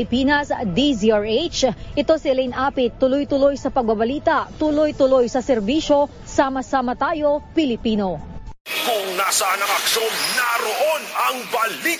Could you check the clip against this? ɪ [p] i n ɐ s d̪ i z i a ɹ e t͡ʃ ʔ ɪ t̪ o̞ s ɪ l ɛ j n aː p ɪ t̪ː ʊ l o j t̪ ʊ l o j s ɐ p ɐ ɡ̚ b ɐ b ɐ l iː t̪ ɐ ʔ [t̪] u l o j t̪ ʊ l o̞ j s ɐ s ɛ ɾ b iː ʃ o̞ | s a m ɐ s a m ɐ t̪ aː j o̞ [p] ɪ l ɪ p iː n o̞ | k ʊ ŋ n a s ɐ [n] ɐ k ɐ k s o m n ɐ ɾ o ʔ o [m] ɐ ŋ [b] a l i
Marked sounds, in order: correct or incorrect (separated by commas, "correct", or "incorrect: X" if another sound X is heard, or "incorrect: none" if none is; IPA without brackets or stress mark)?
correct, correct, correct, correct, incorrect: n, correct